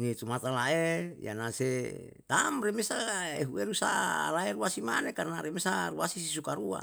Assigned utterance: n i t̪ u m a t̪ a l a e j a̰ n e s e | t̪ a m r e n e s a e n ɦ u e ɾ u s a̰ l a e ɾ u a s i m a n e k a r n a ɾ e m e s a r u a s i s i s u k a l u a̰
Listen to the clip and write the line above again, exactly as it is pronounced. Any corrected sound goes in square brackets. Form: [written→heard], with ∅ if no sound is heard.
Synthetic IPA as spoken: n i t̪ u m a t̪ a l a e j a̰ n [e→a] s e | t̪ a m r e [n→m] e s a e [n→∅] ɦ u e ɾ u s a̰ l a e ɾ u a s i m a n e k a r n a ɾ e m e s a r u a s i s i s u k a [l→ɾ] u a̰

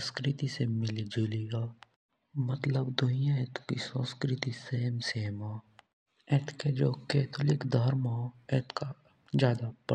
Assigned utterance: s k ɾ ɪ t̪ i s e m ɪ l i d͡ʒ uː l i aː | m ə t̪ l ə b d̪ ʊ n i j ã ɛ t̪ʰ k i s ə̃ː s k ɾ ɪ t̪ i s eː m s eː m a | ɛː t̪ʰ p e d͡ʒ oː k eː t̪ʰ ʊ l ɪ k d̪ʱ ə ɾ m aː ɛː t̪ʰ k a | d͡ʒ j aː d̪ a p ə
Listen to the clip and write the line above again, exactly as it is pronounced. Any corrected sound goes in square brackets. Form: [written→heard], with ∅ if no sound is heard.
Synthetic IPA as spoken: s k ɾ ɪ t̪ i s e m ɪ l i d͡ʒ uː l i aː | m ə t̪ l ə b d̪ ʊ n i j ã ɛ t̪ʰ k i s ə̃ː s k ɾ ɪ t̪ i s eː m s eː m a | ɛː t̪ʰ [p→k] e d͡ʒ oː k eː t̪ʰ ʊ l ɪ k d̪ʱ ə ɾ m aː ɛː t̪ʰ k a | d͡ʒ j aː d̪ a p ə

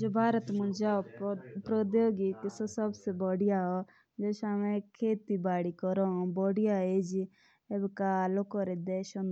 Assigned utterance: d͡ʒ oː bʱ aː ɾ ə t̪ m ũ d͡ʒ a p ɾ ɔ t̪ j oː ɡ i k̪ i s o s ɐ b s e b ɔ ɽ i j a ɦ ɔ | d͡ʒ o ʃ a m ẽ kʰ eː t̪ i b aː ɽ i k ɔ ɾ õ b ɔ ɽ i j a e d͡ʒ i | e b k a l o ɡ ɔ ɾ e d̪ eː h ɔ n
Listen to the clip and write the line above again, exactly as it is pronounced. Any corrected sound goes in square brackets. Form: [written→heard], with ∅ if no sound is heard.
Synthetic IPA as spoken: d͡ʒ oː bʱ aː ɾ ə t̪ m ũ d͡ʒ a p ɾ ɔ [t̪→d̪] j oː ɡ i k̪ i s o s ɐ b s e b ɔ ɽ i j a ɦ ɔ | d͡ʒ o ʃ a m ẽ kʰ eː t̪ i b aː ɽ i k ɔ ɾ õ b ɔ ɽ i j a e d͡ʒ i | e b k a l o [ɡ→k] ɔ ɾ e d̪ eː [h→ʃ] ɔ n

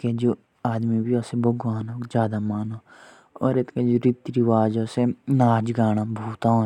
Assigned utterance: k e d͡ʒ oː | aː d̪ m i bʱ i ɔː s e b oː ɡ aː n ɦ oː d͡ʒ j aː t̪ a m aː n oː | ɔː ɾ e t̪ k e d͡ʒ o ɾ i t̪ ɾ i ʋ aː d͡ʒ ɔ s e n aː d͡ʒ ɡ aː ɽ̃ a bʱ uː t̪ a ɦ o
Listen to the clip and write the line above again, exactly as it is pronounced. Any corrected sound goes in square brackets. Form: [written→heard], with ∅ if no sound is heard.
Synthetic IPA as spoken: k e d͡ʒ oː | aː d̪ m i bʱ i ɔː s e b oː ɡ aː n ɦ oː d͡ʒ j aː [t̪→d̪] a m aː n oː | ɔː ɾ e t̪ k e d͡ʒ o ɾ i t̪ ɾ i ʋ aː d͡ʒ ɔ s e n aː d͡ʒ ɡ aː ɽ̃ a bʱ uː t̪ a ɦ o

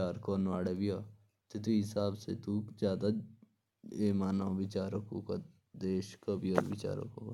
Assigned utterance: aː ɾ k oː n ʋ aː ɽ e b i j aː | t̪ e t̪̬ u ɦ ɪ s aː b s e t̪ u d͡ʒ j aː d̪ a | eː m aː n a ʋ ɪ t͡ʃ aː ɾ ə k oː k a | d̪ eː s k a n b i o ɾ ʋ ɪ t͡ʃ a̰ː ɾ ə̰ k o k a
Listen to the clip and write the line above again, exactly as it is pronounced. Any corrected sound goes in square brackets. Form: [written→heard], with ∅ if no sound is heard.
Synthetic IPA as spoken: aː ɾ k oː n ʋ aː ɽ e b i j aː | t̪ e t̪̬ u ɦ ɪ s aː b s e t̪ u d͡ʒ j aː d̪ a | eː m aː n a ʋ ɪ t͡ʃ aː ɾ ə k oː k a | d̪ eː [s→ʃ] k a [n→∅] b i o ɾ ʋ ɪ t͡ʃ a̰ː ɾ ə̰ k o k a

